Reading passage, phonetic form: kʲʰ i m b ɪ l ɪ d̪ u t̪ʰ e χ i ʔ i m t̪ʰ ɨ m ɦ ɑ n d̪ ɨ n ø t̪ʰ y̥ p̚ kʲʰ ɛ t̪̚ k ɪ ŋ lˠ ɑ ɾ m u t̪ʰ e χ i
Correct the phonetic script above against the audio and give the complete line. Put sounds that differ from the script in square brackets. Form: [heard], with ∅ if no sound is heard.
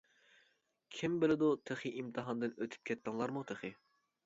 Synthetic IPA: kʲʰ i m b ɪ l ɪ d̪ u t̪ʰ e χ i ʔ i m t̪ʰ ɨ [∅] ɦ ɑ n d̪ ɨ n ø t̪ʰ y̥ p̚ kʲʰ ɛ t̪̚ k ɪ ŋ lˠ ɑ ɾ m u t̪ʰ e χ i